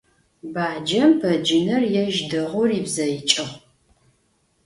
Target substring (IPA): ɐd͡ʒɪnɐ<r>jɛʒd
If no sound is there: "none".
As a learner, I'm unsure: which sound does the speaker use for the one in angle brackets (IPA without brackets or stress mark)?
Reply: r